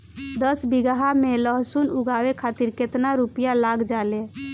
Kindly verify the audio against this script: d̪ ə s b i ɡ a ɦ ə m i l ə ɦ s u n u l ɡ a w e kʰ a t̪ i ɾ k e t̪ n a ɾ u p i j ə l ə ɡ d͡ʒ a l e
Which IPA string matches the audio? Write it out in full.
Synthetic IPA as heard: d̪ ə s b i ɡ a ɦ a m e l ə ɦ s u n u ɡ a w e kʰ a t̪ i ɾ k e t̪ n a ɾ u p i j a l a ɡ d͡ʒ a l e